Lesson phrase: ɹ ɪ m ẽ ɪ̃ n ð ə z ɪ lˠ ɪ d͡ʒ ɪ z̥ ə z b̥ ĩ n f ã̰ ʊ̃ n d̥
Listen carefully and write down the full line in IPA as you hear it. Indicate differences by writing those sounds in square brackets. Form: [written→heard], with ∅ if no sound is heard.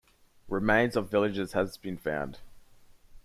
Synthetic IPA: ɹ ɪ m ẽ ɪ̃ n [ð→z] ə [z→v] ɪ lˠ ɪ d͡ʒ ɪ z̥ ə z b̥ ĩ n f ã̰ ʊ̃ n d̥